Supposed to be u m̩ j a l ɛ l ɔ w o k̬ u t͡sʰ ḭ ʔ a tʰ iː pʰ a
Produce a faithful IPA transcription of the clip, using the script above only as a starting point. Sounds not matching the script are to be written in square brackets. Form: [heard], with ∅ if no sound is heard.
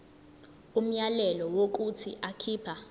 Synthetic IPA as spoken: u m̩ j a l ɛ l ɔ w o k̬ u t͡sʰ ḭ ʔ a [kʰ] iː pʰ a

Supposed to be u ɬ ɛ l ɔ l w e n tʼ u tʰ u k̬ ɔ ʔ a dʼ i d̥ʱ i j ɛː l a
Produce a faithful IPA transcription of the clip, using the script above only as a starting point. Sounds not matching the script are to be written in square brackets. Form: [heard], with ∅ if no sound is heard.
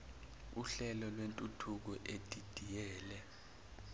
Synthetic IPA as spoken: u ɬ ɛ l ɔ l w e n tʼ u tʰ u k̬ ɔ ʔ [e] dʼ i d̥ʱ i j ɛː l [ɛ]

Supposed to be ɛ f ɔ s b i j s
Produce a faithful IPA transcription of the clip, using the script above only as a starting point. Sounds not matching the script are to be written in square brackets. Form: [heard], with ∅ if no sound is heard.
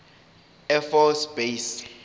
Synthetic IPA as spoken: ɛ f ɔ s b [e] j s

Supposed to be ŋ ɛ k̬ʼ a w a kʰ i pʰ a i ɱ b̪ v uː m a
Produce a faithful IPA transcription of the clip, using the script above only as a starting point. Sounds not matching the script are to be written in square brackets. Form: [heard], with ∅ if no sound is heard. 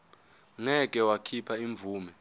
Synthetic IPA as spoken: ŋ ɛ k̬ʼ [ɛ] w a kʰ i pʰ a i ɱ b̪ v uː m [ɛ]

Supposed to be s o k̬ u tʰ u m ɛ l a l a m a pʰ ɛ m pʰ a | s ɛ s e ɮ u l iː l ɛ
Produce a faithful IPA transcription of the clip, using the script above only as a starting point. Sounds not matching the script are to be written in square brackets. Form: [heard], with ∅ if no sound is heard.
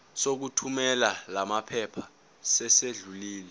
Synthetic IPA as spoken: s o k̬ u tʰ u m ɛ l a l a m a pʰ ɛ [∅] pʰ a | s ɛ s e ɮ u l iː l ɛ

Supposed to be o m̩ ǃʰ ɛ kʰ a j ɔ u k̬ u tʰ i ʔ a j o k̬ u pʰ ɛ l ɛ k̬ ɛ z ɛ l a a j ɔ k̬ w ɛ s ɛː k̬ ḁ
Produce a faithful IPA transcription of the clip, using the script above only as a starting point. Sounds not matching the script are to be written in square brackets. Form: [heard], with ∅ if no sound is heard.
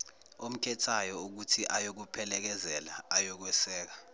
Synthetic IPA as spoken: o m̩ [kʰ] ɛ [tʰ] a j ɔ u k̬ u tʰ i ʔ a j o k̬ u pʰ ɛ l ɛ k̬ ɛ z ɛ l a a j ɔ k̬ w ɛ s ɛː k̬ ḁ

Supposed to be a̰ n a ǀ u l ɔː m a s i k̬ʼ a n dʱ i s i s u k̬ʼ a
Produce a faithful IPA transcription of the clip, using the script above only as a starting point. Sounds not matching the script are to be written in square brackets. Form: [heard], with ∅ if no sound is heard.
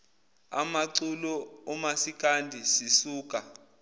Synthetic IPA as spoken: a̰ [m] a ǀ u l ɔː m a s i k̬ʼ a n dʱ i s i s [uː] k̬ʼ a

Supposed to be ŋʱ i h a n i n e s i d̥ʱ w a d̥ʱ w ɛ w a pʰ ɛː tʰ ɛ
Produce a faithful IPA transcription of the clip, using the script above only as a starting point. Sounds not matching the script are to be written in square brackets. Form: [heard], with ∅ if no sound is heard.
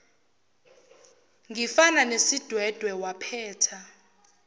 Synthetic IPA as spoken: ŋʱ i [f] a n [a] n e s i d̥ʱ w [ɛ] d̥ʱ w ɛ w a pʰ ɛː tʰ [a]

